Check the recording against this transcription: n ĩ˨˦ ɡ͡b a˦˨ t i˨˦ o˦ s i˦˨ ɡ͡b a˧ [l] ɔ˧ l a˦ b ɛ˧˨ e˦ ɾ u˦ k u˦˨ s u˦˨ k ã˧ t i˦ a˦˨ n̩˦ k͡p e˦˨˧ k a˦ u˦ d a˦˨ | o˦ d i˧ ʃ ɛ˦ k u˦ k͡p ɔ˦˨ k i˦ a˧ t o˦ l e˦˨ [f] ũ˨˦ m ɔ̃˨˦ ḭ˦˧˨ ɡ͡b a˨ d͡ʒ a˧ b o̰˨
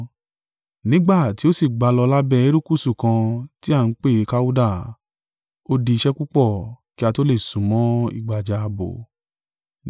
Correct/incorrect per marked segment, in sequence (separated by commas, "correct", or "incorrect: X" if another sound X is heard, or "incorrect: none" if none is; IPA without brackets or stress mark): correct, incorrect: s